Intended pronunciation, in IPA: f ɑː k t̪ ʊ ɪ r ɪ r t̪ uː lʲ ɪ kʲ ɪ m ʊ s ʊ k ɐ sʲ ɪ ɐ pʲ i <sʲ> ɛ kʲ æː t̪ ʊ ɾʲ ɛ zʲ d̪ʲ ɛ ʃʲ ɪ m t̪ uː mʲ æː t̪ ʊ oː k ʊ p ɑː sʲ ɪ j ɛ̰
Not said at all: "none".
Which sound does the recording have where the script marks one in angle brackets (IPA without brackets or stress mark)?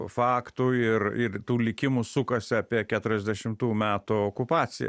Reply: none